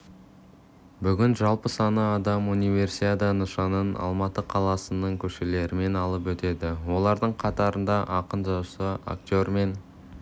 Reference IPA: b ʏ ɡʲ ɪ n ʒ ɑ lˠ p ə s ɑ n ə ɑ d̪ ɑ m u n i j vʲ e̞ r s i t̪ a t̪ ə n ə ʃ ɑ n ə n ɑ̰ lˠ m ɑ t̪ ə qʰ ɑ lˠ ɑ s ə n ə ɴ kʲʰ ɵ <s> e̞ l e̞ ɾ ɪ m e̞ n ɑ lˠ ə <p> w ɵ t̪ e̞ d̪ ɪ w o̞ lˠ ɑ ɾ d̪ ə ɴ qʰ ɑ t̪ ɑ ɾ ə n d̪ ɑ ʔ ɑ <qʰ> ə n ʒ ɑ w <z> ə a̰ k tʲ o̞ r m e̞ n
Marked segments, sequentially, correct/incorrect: incorrect: ʃ, correct, incorrect: q, incorrect: s

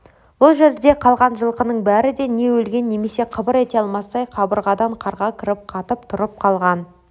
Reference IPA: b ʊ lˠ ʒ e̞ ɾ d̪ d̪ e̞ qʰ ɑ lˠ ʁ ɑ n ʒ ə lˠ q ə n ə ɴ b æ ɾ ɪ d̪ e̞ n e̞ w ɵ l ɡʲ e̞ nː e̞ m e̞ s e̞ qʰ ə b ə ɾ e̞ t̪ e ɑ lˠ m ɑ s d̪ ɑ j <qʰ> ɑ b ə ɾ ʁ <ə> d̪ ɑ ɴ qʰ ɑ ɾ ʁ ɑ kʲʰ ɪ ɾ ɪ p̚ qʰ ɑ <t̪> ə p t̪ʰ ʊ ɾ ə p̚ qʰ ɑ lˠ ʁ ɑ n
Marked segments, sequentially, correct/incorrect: correct, incorrect: ɑ, correct

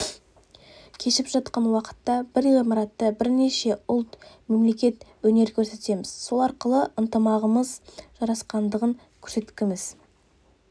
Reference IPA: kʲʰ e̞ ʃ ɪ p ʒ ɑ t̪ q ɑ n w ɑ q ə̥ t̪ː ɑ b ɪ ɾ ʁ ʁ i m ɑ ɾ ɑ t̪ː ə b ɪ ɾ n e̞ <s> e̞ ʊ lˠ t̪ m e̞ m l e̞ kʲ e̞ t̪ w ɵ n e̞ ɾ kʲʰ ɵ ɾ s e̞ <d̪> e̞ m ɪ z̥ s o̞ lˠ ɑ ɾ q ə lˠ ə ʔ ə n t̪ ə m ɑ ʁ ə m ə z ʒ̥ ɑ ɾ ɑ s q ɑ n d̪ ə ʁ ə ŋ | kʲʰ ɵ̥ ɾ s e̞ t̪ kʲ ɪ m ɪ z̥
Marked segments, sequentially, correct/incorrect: incorrect: ʃ, incorrect: t̪

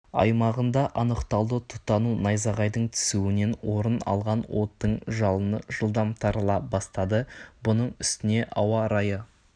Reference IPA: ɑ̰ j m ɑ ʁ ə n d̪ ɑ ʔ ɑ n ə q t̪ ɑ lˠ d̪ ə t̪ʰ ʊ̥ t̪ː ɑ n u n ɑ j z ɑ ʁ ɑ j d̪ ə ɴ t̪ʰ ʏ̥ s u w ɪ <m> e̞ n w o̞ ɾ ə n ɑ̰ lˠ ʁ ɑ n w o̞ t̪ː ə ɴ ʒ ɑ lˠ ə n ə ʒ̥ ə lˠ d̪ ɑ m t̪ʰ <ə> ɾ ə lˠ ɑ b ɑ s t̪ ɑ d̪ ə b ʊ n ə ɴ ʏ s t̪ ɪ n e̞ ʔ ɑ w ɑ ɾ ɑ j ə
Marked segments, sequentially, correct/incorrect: incorrect: n, incorrect: ɑ

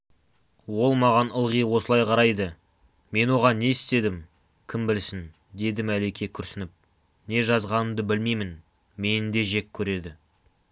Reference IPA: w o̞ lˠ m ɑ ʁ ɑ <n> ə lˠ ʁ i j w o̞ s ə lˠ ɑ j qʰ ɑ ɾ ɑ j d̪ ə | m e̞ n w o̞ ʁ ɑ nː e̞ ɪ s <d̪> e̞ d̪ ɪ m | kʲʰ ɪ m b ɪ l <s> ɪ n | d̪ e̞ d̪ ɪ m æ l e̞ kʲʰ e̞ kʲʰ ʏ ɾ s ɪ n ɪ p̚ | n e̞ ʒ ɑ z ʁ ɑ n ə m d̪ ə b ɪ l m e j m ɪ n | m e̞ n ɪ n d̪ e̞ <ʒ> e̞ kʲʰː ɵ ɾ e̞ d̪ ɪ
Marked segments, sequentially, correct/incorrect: correct, incorrect: t̪, correct, correct

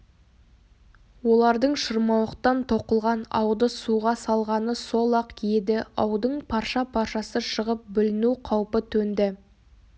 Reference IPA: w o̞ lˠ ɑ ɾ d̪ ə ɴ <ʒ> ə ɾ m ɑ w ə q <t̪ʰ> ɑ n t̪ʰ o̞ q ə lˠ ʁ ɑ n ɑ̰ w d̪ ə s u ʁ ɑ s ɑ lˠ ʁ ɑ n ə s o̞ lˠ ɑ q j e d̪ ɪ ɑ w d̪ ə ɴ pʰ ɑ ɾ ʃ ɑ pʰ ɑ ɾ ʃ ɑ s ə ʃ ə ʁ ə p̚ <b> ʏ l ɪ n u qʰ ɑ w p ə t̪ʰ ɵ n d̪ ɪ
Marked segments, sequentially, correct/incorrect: incorrect: ʃ, incorrect: t̪, correct

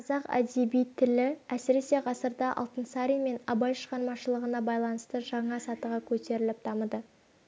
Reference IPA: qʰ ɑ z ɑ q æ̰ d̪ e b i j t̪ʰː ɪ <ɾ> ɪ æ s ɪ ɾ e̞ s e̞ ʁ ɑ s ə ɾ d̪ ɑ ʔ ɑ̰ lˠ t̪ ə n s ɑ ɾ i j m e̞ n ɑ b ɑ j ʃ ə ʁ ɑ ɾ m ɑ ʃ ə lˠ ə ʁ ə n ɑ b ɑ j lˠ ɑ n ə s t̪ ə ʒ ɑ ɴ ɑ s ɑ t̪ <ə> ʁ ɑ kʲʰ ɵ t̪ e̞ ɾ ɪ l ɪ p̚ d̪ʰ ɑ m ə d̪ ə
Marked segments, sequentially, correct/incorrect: incorrect: l, correct

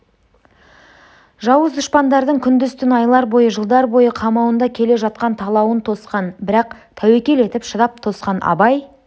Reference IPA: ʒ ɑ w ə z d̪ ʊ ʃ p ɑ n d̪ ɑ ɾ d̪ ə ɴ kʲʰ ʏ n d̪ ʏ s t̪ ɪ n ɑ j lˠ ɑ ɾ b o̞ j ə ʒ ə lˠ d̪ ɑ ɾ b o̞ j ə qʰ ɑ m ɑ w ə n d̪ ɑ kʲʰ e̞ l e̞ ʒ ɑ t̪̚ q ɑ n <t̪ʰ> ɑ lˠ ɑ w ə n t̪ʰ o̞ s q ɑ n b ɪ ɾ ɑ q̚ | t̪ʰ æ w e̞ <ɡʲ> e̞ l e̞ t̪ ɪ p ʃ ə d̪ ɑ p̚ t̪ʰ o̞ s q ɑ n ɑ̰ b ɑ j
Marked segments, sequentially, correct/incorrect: correct, incorrect: kʲ

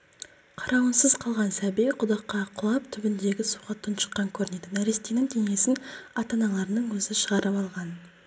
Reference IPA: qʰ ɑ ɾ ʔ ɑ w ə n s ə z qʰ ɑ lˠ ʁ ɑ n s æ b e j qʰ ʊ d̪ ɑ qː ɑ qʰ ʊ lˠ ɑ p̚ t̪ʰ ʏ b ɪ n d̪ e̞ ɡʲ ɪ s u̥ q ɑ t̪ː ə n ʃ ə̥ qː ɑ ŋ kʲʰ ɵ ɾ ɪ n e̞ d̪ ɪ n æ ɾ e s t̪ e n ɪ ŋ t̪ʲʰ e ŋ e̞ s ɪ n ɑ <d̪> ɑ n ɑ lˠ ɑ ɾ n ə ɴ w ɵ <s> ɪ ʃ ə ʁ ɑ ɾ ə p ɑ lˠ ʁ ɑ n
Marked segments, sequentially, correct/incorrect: incorrect: t̪, incorrect: z

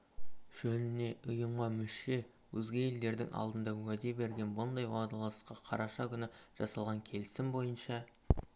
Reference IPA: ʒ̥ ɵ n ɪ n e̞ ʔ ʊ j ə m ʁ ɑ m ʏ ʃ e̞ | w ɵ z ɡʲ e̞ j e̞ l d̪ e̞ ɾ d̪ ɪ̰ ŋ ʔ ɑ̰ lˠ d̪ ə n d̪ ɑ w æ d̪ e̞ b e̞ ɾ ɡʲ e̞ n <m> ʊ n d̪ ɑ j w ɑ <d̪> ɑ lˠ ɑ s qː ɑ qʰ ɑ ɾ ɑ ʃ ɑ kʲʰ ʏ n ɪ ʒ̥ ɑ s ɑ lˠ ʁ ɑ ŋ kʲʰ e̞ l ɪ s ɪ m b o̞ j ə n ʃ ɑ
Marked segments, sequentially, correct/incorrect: incorrect: b, correct

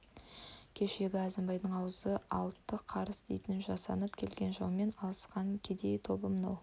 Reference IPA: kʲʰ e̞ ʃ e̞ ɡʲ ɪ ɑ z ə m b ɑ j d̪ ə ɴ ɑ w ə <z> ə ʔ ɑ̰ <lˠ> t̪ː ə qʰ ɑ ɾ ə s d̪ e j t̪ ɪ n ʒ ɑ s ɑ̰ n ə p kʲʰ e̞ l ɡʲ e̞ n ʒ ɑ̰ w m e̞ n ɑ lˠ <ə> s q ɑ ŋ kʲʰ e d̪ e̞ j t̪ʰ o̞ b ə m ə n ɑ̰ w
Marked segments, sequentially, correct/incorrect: correct, correct, correct

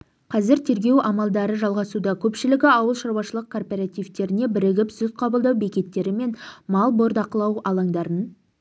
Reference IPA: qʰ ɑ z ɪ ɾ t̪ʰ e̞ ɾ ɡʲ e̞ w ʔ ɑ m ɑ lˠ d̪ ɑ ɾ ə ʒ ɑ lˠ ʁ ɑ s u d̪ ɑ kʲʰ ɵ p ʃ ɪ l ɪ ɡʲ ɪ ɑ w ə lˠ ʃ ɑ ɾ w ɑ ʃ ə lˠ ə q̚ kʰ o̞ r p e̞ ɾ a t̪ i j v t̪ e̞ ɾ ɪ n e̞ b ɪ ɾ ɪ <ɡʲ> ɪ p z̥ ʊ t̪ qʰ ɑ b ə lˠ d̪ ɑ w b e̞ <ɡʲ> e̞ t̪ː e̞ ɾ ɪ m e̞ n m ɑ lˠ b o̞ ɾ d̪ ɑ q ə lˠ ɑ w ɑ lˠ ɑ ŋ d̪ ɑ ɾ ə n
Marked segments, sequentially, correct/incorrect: correct, incorrect: kʲ

